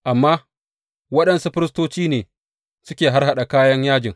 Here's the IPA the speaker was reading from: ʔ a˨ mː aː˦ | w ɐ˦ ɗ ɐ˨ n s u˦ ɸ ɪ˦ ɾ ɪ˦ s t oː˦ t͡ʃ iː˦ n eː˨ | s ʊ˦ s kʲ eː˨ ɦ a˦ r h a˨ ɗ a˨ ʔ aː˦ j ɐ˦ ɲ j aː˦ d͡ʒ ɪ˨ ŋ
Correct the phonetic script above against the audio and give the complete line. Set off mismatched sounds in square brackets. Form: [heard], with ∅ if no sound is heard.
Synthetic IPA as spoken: ʔ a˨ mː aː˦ | w ɐ˦ ɗ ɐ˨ n s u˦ ɸ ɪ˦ ɾ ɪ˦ s t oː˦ t͡ʃ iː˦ n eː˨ | s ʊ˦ [∅] kʲ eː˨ ɦ a˦ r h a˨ ɗ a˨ [k] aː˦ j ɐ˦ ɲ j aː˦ d͡ʒ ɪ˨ ŋ